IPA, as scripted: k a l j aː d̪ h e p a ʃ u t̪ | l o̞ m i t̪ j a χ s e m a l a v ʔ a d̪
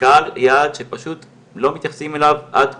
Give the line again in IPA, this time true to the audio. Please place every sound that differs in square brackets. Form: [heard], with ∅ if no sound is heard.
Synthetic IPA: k a l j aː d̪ [ʃ] e p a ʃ u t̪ | l o̞ m i t̪ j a χ s [i] m [e] l a v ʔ a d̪